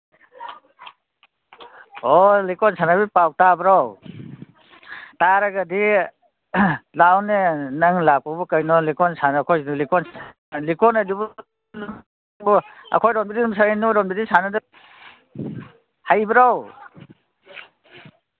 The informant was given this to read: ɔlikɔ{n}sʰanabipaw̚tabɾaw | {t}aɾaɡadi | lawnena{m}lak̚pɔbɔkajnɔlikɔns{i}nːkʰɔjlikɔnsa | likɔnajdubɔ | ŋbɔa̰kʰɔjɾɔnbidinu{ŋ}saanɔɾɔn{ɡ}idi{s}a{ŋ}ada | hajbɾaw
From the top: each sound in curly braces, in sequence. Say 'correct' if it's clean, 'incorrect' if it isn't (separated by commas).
correct, correct, incorrect, incorrect, incorrect, incorrect, correct, incorrect